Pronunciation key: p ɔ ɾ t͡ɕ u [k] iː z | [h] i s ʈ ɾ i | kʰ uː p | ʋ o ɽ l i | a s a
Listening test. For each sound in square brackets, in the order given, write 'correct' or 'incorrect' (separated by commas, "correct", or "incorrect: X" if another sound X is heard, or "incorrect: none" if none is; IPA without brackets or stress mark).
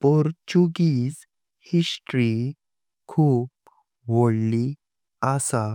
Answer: incorrect: ɡ, correct